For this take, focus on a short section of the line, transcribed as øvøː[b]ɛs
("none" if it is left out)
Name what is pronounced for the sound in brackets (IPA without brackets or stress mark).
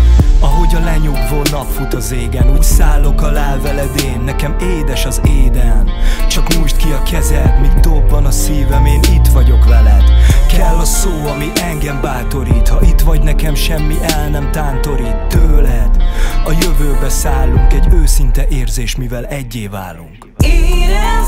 b